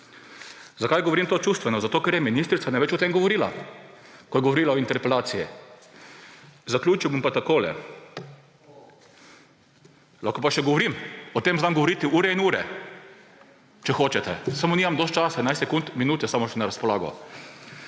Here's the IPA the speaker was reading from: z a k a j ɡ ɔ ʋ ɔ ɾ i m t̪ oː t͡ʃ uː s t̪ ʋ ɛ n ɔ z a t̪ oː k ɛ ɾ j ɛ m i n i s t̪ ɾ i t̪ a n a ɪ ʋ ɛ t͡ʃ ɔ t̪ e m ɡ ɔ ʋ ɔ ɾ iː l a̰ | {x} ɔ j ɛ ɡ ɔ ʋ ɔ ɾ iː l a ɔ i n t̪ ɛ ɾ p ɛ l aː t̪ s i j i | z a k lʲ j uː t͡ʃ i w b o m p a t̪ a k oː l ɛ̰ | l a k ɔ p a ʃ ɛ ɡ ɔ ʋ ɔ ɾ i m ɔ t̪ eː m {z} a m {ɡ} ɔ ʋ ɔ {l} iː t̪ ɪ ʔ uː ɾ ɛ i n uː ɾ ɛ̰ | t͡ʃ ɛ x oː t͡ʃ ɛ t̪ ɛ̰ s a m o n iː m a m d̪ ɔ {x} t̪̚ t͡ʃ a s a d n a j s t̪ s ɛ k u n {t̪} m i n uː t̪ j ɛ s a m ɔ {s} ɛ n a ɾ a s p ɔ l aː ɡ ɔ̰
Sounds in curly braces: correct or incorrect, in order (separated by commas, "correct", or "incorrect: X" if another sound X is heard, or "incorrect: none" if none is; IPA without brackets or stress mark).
incorrect: k, correct, correct, incorrect: ɾ, incorrect: s, correct, incorrect: ʃ